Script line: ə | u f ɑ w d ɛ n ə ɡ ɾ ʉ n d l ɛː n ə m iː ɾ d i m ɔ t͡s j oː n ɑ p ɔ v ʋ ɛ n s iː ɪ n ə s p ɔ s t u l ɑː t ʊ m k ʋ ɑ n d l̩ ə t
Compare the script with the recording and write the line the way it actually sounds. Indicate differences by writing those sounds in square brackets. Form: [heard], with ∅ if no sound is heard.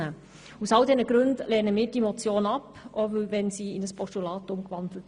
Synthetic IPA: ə | u [s] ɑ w d ɛ n ə ɡ ɾ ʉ n d l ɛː n ə m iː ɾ d i m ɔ t͡s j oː n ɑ p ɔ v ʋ ɛ n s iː ɪ n ə s p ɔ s t u l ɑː t ʊ m k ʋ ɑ n d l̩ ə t